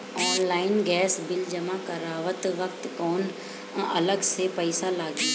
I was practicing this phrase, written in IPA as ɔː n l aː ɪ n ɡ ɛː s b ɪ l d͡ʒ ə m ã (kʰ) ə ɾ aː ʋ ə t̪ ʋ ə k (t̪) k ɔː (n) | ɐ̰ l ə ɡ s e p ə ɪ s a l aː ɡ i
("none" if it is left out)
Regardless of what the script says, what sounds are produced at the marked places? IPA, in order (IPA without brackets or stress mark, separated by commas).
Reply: k, t̪, n